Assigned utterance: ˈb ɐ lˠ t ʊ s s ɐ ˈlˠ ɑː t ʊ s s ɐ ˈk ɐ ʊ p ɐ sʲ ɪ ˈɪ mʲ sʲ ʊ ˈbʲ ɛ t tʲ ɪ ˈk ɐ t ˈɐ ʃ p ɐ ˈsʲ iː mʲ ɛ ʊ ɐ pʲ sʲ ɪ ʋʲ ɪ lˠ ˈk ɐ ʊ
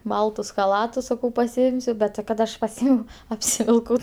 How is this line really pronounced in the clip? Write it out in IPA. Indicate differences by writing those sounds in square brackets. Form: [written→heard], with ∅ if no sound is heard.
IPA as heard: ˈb ɐ lˠ t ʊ s [s→x] ɐ ˈlˠ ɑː t ʊ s s ɐ ˈk ɐ ʊ p ɐ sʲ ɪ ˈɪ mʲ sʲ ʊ ˈbʲ ɛ t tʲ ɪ ˈk ɐ t ˈɐ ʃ p ɐ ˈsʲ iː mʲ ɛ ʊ ɐ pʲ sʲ ɪ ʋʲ ɪ lˠ ˈk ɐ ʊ